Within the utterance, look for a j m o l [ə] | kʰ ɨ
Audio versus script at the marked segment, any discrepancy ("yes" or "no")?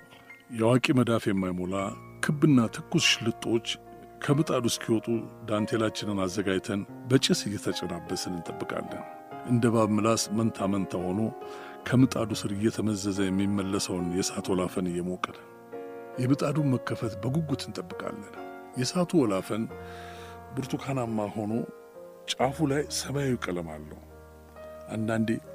yes